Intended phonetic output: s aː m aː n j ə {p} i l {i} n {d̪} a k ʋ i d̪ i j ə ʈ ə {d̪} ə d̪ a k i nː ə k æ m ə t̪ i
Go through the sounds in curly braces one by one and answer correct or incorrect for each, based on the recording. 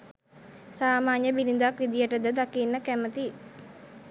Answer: incorrect: b, correct, correct, correct

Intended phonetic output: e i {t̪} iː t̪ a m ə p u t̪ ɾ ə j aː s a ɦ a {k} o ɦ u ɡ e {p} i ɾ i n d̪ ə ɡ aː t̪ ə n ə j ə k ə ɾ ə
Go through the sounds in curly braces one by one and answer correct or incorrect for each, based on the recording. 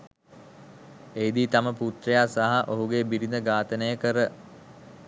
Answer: incorrect: d̪, incorrect: ʔ, incorrect: b

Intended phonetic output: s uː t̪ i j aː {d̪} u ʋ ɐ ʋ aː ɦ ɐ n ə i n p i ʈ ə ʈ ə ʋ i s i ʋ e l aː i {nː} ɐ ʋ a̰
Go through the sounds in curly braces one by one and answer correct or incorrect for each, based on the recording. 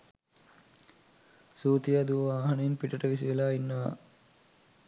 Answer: correct, correct

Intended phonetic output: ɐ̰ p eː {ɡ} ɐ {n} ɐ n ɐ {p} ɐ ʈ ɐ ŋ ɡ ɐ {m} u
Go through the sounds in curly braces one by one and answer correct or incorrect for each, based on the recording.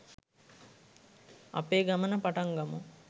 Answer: correct, incorrect: m, correct, correct

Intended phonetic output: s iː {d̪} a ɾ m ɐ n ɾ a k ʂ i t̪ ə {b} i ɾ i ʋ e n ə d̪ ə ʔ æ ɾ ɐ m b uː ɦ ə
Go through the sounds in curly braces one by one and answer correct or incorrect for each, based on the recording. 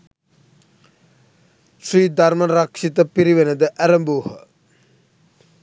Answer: correct, incorrect: p

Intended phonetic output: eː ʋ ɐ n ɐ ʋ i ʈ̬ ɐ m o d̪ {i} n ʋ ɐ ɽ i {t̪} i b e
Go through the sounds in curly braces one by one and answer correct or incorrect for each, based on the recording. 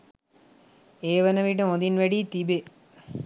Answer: correct, correct

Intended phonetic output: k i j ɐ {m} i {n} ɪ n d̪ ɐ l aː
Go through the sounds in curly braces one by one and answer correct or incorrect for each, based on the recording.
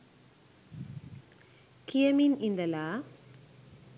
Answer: correct, correct

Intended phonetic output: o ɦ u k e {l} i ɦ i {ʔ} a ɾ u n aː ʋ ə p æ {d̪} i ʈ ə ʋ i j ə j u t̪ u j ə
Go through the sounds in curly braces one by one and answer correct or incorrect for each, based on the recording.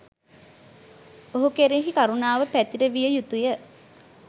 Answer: incorrect: ɾ, incorrect: k, incorrect: t̪

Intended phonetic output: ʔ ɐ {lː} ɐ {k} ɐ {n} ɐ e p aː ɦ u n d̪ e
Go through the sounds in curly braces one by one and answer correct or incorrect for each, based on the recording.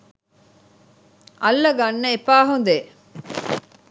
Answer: correct, incorrect: ɡ, incorrect: nː

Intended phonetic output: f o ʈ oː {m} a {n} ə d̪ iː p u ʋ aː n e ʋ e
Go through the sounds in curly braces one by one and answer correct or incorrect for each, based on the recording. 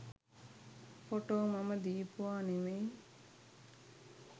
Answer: correct, incorrect: m

